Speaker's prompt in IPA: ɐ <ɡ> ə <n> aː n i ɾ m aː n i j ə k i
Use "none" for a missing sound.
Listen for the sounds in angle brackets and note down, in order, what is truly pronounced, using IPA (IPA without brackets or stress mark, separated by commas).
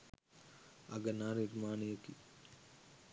ɡ, n